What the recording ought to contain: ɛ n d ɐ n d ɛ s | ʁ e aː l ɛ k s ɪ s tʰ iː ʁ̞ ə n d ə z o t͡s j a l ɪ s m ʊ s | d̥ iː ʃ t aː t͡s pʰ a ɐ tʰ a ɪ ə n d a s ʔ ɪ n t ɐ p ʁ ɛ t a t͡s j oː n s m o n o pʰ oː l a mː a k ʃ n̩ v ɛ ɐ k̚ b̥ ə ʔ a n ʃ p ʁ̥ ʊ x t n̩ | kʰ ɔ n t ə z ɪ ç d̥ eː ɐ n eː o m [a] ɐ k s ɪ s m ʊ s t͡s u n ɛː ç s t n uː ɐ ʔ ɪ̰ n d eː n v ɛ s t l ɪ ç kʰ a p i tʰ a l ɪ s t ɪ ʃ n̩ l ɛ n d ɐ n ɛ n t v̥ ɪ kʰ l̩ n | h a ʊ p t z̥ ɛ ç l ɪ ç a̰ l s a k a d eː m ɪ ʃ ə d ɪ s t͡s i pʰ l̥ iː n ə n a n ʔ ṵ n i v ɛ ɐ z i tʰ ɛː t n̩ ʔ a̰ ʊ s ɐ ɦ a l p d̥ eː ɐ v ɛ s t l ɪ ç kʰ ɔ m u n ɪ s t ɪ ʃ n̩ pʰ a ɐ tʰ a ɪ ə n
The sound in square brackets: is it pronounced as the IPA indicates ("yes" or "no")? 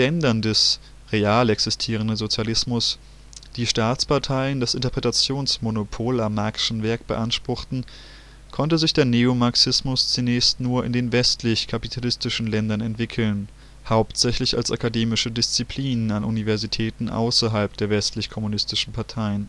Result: yes